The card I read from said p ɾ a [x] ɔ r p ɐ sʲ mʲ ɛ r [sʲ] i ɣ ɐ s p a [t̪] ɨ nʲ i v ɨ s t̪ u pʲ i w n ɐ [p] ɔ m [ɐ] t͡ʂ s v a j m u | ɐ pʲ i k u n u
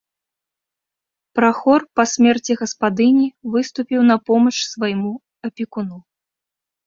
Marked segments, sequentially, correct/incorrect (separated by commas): correct, incorrect, incorrect, correct, correct